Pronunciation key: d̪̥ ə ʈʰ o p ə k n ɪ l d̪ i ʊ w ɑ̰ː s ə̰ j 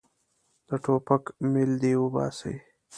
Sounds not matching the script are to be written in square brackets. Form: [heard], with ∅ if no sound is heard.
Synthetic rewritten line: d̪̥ ə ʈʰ o p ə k [m] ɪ l d̪ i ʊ [b] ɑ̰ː s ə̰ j